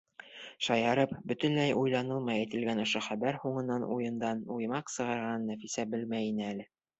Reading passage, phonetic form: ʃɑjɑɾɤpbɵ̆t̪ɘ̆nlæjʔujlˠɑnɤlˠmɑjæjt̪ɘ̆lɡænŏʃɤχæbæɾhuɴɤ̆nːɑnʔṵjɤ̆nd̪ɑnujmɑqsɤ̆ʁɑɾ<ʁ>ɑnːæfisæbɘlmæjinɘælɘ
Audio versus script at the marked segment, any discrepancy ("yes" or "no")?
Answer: no